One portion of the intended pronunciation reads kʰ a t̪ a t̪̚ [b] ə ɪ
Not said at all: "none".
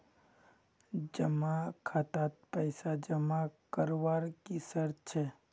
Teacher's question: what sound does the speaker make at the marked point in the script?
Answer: p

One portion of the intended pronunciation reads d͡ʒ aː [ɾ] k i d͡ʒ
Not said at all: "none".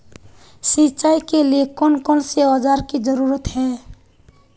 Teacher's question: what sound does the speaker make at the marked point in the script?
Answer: ɾ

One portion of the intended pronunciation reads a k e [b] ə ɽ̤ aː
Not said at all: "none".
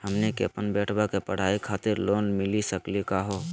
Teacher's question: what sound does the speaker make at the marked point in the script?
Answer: p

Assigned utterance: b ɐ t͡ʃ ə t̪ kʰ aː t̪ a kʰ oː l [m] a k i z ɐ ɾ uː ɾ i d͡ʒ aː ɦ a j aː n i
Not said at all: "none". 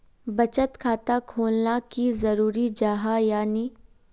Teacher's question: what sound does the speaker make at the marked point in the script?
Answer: n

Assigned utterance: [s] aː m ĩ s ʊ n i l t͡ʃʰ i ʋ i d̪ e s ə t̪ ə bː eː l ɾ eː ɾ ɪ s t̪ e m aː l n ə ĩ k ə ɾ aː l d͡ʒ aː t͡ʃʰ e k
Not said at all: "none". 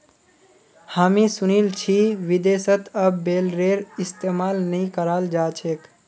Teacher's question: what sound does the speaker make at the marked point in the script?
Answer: h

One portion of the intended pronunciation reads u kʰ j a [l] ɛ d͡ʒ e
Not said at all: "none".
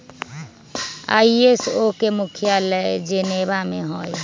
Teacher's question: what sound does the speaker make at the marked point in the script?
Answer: l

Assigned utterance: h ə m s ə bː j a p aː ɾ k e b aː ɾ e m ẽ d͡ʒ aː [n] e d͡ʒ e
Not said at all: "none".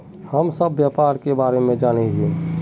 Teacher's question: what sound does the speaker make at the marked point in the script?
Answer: n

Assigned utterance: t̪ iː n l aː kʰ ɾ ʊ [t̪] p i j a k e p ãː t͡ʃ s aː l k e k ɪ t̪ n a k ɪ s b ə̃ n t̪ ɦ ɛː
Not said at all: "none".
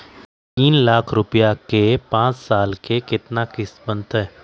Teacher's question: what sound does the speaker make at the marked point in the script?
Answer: none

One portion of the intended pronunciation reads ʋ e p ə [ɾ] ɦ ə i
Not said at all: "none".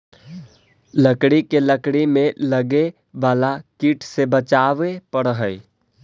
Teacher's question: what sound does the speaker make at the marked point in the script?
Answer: ɽ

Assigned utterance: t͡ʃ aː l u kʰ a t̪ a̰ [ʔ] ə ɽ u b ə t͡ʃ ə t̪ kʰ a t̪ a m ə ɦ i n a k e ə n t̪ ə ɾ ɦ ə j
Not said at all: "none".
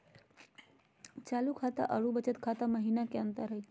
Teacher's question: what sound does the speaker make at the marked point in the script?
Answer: ʔ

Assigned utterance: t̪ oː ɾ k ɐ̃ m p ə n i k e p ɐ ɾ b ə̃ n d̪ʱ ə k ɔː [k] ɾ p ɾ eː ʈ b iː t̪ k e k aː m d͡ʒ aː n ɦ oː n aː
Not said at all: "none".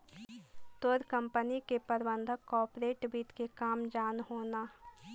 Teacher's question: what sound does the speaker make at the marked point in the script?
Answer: none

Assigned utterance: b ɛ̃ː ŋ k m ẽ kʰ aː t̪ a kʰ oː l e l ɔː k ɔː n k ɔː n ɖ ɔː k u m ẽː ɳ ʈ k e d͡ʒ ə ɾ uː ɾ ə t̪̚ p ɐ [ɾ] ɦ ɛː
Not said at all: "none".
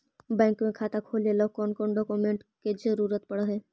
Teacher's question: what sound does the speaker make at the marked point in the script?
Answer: ɽ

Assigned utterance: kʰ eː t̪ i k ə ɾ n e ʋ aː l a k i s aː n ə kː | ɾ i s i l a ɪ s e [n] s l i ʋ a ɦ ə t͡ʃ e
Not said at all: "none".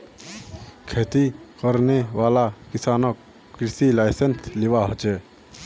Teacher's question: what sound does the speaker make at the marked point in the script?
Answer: n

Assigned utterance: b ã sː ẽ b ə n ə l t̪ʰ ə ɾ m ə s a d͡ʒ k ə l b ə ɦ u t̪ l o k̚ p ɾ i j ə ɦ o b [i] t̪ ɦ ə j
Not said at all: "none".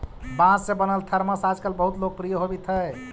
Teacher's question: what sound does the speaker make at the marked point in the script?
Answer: i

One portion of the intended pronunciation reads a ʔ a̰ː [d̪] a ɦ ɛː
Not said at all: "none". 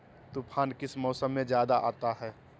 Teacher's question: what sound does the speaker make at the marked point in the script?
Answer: t̪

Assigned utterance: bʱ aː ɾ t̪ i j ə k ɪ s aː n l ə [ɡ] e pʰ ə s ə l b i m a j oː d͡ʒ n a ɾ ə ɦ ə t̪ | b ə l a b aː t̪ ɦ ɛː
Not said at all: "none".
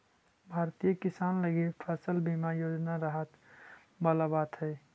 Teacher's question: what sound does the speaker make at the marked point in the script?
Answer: ɡ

